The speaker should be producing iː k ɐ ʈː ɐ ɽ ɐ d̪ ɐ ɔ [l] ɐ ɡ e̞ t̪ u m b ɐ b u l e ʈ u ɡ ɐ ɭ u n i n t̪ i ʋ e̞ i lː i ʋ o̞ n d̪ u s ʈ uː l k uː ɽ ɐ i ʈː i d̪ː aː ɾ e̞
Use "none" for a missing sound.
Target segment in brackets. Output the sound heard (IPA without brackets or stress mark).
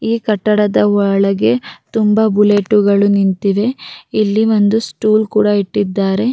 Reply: ɭ